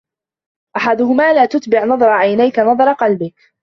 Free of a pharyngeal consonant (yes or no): no